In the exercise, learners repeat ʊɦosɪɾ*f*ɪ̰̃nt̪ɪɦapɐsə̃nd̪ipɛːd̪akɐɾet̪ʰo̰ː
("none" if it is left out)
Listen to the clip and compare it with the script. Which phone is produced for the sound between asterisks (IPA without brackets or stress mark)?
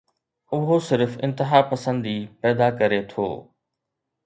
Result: f